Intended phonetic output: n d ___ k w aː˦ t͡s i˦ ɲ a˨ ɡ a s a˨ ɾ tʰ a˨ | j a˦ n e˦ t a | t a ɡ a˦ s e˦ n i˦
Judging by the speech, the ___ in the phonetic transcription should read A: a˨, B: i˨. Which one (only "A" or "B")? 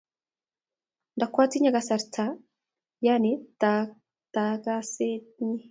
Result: A